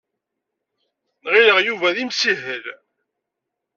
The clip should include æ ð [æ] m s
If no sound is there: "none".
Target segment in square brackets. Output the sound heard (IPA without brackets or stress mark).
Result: i